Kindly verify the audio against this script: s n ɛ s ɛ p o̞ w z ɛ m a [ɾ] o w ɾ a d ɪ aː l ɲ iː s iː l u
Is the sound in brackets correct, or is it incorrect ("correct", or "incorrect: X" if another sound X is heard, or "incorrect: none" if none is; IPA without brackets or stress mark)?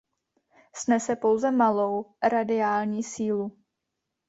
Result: incorrect: l